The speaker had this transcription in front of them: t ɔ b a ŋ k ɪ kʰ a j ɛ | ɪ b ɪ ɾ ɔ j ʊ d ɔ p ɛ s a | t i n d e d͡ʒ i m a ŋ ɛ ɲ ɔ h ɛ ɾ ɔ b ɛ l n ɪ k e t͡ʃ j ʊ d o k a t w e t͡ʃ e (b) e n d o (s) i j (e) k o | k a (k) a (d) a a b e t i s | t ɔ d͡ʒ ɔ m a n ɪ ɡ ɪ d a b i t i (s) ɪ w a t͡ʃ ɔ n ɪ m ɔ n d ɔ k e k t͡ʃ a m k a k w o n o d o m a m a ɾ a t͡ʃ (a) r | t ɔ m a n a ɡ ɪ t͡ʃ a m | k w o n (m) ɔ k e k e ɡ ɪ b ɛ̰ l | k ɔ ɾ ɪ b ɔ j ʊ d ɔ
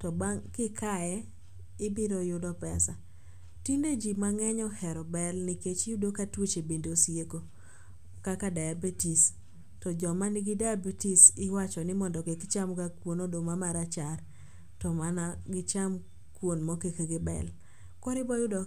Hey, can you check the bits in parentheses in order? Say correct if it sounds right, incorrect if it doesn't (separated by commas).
correct, correct, correct, correct, correct, correct, correct, correct